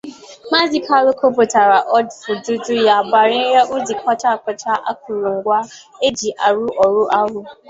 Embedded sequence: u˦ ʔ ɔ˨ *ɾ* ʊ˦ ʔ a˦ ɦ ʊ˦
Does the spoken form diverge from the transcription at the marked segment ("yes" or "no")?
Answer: no